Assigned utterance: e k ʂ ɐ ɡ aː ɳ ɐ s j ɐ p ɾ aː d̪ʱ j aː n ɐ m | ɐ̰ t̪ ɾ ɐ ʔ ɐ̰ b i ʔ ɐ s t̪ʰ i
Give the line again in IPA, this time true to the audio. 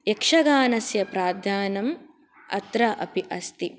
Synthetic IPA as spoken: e k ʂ ɐ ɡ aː n ɐ s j ɐ p ɾ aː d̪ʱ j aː n ɐ m | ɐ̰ t̪ ɾ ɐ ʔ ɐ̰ p i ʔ ɐ s t̪ i